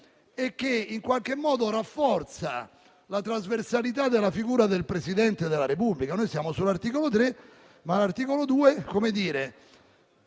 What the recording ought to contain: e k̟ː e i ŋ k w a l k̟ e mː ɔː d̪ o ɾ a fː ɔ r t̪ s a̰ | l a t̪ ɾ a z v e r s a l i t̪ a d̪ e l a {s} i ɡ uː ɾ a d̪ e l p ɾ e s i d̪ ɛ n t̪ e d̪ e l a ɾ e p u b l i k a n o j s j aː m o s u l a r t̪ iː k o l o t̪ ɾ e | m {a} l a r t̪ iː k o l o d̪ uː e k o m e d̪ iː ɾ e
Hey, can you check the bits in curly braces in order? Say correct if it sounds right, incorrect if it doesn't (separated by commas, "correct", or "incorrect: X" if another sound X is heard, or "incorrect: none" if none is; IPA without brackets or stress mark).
incorrect: f, correct